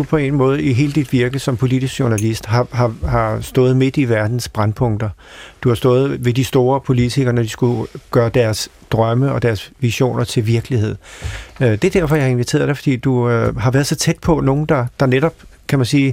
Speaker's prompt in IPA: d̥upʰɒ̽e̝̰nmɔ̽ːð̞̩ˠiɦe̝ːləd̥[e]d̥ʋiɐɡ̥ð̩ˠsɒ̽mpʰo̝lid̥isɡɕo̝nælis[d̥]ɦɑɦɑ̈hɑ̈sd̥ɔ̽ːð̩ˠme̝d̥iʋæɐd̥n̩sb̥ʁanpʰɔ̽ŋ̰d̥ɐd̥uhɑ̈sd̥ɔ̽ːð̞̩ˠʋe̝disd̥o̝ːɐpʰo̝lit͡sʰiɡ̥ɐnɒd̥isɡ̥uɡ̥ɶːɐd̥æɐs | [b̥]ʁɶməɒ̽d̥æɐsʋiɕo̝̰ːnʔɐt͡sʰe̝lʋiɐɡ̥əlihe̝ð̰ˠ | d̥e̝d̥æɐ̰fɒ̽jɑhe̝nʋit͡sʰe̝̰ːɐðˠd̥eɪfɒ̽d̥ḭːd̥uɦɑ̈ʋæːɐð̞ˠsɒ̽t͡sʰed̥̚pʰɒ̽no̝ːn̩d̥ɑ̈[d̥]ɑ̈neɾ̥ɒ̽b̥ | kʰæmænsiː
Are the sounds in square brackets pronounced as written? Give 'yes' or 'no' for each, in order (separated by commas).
no, yes, no, yes